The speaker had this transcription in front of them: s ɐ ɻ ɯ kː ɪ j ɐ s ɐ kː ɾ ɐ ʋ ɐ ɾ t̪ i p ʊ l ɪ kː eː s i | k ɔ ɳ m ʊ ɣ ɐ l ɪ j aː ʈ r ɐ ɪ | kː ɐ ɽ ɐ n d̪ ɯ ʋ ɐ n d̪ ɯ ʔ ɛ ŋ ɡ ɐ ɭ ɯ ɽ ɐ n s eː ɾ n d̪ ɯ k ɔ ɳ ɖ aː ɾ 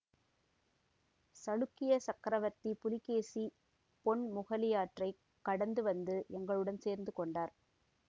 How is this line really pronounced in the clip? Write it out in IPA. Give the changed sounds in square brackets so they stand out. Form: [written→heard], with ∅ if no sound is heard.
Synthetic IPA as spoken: s ɐ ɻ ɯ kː ɪ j ɐ s ɐ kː ɾ ɐ ʋ ɐ ɾ t̪ i p ʊ l ɪ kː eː s i | [k→p] ɔ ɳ m ʊ ɣ ɐ l ɪ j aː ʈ r ɐ ɪ | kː ɐ ɽ ɐ n d̪ ɯ ʋ ɐ n d̪ ɯ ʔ ɛ ŋ ɡ ɐ ɭ ɯ ɽ ɐ n s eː ɾ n d̪ ɯ k ɔ ɳ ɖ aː ɾ